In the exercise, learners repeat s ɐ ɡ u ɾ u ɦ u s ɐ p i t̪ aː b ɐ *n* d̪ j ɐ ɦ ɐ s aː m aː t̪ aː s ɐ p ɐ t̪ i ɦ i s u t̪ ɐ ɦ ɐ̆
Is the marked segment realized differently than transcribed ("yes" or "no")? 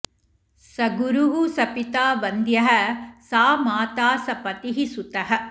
no